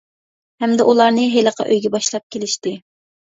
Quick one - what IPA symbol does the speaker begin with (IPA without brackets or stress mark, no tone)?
h